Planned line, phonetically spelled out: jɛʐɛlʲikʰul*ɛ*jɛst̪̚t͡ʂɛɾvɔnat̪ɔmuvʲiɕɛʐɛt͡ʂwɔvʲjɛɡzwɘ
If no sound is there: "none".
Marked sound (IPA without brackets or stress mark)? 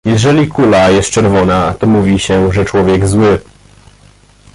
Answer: a